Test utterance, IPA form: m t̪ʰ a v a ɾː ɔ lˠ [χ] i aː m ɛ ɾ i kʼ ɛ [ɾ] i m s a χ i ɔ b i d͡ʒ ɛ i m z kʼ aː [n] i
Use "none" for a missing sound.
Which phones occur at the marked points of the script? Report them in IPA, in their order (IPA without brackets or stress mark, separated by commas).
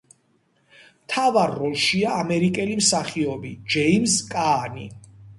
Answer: ʃ, l, n